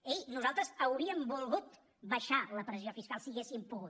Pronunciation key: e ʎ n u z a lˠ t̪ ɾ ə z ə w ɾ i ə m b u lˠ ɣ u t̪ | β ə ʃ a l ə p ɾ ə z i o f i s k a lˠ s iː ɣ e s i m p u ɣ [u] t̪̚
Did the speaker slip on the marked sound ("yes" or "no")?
no